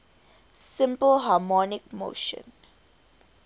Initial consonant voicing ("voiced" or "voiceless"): voiceless